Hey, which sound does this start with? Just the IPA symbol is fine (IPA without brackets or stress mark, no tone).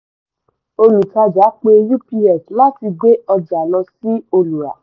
o